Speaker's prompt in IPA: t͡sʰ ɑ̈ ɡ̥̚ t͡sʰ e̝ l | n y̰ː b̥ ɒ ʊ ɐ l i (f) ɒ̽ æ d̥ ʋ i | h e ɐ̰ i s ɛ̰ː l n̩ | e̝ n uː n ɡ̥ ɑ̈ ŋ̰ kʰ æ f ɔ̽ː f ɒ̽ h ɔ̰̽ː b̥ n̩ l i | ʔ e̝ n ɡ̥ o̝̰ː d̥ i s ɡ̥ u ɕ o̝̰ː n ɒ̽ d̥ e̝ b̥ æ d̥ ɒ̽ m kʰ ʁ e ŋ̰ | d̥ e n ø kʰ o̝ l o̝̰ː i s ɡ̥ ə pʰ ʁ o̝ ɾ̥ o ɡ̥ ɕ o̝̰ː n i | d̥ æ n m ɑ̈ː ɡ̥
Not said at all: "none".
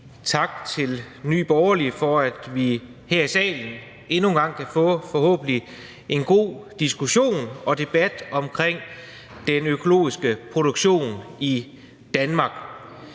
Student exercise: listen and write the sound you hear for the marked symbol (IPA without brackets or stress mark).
f